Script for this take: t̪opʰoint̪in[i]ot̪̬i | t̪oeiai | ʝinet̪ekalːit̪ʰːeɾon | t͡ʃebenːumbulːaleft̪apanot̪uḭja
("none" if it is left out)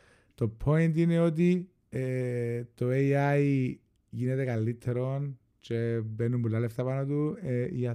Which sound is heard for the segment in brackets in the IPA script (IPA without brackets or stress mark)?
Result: e